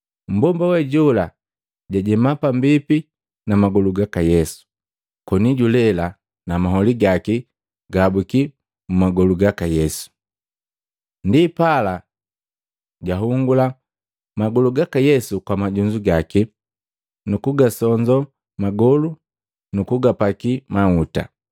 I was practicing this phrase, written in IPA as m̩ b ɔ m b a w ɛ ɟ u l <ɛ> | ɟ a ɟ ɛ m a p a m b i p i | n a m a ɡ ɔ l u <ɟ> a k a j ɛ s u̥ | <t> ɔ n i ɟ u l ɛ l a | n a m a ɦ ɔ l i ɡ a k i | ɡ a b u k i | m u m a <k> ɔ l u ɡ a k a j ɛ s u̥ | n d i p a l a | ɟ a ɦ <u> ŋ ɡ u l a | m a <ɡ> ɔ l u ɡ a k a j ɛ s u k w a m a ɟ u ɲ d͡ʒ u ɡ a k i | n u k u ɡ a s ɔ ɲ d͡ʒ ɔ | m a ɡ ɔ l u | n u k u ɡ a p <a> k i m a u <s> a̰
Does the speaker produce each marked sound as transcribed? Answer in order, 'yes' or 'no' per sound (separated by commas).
no, no, no, no, yes, yes, yes, no